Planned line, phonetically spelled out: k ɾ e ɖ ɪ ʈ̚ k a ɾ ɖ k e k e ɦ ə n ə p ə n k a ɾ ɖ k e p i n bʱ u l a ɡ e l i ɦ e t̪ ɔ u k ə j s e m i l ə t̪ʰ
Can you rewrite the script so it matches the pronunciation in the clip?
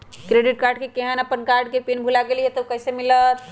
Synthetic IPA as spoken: k ɾ e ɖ i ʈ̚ k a ɾ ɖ k e k e ɦ ə n ə p ə n k a ɾ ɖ k e p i n bʱ u l a ɡ e l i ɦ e t̪ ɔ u k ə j s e m i l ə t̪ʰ